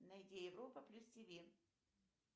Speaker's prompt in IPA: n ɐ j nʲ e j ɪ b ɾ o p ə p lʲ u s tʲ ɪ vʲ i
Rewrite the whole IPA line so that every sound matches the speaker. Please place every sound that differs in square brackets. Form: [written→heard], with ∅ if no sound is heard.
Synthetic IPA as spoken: n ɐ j [nʲ→dʲ] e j ɪ [b→v] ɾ o p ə p lʲ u s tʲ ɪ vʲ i